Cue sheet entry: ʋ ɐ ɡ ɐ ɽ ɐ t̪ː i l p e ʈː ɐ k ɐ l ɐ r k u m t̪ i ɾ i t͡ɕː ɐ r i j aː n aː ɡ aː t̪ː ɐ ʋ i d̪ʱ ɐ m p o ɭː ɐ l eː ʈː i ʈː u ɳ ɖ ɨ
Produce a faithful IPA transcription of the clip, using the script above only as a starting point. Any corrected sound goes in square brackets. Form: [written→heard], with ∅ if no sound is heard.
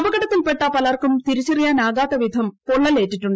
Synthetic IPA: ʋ ɐ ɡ ɐ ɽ ɐ t̪ː i l p e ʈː ɐ [k→p] ɐ l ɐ r k u m t̪ i ɾ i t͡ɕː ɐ r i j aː n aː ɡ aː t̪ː ɐ ʋ i d̪ʱ ɐ m p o ɭː ɐ l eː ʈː i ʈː u ɳ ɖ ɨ